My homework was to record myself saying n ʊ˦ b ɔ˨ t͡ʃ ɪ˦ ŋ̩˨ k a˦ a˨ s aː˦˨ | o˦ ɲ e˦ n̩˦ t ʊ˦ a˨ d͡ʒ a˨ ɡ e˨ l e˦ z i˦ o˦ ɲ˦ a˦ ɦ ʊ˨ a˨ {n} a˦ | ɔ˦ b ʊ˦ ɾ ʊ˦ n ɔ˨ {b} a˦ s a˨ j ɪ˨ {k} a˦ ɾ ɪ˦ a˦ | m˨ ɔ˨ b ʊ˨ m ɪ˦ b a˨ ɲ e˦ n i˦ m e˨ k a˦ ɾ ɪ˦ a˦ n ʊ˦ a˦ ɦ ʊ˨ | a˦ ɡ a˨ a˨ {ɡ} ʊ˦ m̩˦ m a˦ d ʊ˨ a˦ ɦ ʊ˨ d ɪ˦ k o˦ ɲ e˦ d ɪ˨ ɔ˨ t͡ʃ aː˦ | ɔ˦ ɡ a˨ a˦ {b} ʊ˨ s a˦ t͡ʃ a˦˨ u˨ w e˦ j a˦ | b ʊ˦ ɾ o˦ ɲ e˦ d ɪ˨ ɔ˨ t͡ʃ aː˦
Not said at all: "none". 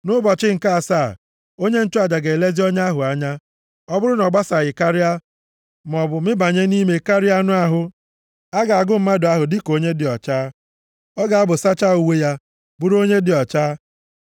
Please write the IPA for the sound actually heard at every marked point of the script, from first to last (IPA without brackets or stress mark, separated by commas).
ɲ, ɡ͡b, k, ɡ, b